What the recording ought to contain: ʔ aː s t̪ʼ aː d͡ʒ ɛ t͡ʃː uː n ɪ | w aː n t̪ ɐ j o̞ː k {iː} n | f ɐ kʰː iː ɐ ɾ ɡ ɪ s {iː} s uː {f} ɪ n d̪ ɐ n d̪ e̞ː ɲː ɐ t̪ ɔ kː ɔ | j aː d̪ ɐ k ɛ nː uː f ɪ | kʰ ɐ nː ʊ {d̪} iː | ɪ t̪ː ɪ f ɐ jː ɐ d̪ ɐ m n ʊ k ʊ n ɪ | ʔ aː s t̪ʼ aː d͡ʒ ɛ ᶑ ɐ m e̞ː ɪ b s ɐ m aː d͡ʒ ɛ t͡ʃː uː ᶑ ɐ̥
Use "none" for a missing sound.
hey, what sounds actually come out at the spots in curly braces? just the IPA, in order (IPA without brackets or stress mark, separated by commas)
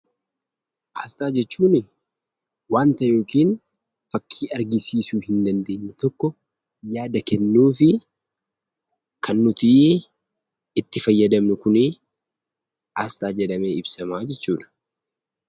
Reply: iː, iː, h, t̪